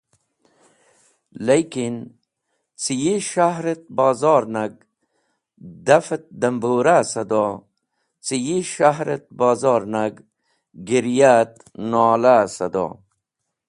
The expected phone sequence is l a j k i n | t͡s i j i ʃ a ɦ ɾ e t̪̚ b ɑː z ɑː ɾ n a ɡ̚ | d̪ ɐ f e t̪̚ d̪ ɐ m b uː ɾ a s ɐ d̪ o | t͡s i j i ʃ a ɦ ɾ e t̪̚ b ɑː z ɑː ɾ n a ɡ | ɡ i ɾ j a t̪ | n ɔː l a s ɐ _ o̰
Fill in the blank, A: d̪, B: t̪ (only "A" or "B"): A